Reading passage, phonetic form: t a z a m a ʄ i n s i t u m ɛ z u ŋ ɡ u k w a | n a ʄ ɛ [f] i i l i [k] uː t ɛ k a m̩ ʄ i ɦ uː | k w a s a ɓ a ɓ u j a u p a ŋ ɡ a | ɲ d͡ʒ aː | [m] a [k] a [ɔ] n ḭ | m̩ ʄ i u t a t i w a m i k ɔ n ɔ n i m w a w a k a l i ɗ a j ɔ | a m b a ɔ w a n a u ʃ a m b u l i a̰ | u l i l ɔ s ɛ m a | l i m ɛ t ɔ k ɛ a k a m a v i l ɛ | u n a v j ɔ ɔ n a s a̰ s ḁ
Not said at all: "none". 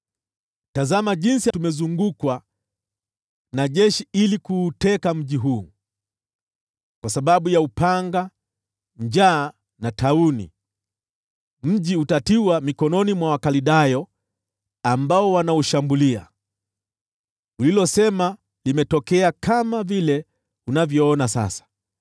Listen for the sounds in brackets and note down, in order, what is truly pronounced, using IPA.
ʃ, k, n, t, u

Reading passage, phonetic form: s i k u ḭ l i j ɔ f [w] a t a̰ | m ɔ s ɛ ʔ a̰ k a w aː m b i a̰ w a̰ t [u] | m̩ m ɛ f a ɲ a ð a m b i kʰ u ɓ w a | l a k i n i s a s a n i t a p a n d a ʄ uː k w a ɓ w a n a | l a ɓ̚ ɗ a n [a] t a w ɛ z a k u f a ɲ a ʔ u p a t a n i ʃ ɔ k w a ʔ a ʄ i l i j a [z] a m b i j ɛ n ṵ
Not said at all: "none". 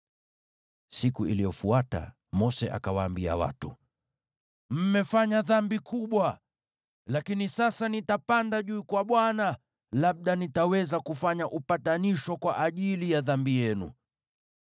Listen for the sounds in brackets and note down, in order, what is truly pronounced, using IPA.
u, u, i, ð

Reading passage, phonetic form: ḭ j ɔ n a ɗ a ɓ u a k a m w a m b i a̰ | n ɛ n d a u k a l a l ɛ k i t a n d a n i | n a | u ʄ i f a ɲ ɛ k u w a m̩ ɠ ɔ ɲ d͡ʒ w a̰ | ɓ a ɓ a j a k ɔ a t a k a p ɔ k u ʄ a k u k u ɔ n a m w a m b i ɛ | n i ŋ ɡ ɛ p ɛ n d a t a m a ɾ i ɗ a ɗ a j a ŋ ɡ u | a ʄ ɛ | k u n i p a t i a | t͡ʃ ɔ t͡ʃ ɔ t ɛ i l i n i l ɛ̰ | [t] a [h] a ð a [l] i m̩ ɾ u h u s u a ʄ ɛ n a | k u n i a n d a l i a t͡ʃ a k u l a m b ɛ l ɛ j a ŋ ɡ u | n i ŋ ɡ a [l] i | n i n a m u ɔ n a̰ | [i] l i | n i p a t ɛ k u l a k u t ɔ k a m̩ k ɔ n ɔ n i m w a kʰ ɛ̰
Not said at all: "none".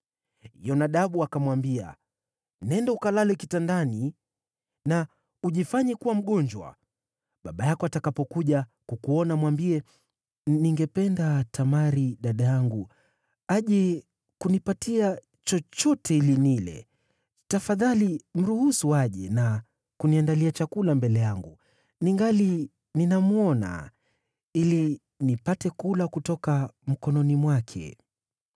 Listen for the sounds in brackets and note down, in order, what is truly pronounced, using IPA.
t, f, l, l, i

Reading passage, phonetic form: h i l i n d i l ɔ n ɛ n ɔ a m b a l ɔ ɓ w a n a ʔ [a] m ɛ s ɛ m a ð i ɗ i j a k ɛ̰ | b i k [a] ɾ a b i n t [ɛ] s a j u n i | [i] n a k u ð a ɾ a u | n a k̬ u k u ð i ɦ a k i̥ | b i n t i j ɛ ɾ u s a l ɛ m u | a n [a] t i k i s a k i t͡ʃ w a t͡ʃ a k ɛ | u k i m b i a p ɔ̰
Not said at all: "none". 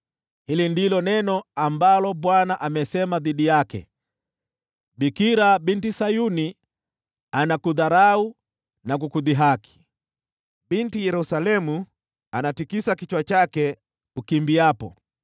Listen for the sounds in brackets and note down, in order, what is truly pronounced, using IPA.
a, i, i, a, a

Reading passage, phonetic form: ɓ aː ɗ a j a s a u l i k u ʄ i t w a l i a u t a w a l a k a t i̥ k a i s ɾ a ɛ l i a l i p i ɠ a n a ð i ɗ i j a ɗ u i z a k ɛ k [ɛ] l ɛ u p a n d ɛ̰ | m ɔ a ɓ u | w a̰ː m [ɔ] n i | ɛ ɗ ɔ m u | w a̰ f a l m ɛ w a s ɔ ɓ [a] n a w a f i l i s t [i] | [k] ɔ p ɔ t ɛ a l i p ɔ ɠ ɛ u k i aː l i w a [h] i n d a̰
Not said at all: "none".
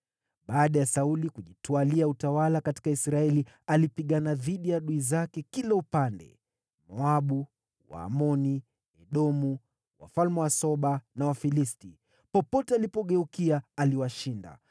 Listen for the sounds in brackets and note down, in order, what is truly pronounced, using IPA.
i, ɔ, a, i, p, ʃ

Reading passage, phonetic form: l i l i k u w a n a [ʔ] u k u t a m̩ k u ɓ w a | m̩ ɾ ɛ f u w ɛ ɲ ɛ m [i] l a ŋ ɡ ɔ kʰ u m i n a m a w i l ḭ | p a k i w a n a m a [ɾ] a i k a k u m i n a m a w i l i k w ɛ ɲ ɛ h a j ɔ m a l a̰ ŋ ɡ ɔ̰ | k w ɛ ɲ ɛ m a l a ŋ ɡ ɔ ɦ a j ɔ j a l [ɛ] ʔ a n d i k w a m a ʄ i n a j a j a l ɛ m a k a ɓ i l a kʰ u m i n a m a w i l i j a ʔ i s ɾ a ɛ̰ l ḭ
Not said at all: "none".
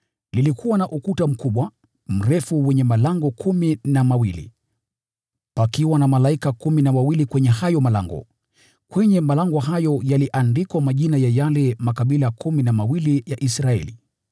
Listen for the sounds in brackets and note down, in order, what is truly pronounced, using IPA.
ʔ, a, l, i

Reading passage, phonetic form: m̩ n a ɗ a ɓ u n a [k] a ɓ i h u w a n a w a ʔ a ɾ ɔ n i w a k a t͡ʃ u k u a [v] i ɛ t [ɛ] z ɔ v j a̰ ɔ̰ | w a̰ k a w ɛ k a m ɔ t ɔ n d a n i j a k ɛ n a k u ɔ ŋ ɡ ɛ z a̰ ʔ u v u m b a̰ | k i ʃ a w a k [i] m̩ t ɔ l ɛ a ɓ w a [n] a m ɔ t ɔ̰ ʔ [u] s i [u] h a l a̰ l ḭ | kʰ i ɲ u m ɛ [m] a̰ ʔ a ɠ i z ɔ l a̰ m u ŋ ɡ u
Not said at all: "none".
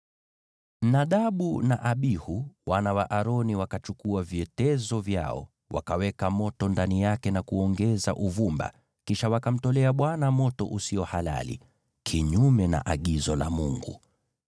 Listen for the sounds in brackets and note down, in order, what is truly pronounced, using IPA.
ʔ, v, ɛ, a, n, u, ɔ, n

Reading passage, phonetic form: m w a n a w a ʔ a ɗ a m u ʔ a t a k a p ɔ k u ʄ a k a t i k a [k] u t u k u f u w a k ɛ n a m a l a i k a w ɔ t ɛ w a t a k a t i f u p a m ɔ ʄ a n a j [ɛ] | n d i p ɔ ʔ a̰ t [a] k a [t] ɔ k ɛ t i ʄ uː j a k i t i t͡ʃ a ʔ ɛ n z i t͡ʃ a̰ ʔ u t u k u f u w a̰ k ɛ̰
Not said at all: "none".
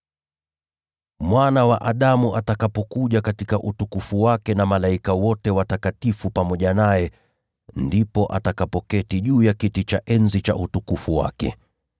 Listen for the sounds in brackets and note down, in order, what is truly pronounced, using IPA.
ʔ, ɛ, a, p

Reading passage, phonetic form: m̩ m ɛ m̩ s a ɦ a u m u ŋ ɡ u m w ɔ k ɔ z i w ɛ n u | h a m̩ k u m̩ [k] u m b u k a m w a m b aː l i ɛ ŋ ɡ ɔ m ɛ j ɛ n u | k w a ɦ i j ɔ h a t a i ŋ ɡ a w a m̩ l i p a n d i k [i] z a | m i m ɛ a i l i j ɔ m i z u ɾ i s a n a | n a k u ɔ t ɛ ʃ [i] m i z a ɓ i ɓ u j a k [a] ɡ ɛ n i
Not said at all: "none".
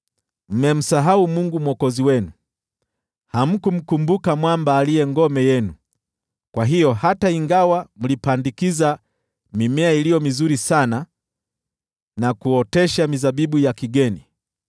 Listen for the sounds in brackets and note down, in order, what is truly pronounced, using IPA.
k, i, a, i

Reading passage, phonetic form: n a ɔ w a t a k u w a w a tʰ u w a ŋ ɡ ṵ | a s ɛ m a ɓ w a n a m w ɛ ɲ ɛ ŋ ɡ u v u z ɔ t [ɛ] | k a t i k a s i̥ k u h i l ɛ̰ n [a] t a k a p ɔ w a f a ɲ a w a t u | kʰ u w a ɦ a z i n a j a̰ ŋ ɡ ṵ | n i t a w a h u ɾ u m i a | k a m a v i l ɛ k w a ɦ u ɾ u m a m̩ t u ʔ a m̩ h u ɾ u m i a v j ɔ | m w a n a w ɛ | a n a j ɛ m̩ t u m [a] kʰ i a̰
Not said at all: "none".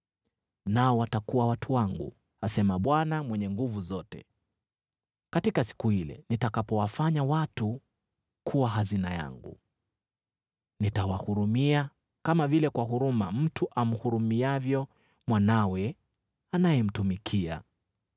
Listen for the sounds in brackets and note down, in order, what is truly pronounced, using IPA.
ɛ, i, i

